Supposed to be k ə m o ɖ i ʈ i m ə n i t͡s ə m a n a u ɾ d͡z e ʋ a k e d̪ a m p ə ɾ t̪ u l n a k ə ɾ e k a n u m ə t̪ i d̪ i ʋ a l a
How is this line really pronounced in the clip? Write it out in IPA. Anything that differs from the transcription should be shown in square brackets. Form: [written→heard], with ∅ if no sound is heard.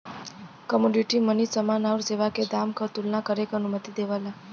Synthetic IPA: k ə m o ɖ i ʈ i m ə n i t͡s ə m a n a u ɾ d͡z e ʋ a k e d̪ a m [p→k] ə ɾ t̪ u l n a k ə ɾ e k [a→ə] n u m ə t̪ i d̪ [i→e] ʋ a l a

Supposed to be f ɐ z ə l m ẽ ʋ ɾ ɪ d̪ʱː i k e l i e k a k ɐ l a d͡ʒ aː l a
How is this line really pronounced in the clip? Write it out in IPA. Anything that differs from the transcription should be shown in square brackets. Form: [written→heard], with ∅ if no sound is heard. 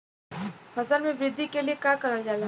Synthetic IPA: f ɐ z ə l m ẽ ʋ ɾ ɪ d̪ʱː i k e l i e k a k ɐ [l→ɾ] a d͡ʒ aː l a

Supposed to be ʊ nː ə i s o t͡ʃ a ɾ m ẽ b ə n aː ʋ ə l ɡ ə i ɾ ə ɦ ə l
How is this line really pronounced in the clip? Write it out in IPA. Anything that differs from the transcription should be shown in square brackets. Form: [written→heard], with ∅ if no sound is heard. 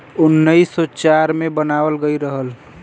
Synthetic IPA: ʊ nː ə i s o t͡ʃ a ɾ m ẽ b ə n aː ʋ ə l ɡ ə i ɾ ə ɦ ə l

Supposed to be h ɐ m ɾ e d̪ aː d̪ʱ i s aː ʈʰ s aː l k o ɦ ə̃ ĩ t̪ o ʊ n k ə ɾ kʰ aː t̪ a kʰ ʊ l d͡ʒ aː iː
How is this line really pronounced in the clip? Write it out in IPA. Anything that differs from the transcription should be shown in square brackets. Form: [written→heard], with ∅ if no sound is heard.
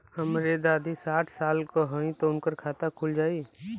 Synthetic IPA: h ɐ m ɾ e d̪ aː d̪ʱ i s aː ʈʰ s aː l k o ɦ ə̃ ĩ t̪ o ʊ n k ə ɾ kʰ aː t̪ a kʰ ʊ l d͡ʒ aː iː

